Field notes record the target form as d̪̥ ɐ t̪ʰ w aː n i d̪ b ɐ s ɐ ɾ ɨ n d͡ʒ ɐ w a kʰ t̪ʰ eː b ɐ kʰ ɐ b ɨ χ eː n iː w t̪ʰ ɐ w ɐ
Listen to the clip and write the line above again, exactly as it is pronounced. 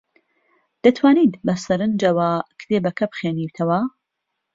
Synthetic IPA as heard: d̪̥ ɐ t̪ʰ w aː n i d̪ b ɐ s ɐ ɾ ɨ n d͡ʒ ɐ w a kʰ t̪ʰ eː b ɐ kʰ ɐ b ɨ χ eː n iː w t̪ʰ ɐ w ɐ